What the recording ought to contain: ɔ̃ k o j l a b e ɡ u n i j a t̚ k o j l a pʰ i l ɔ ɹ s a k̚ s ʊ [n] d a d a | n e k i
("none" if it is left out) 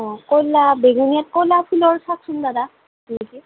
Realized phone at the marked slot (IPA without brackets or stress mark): n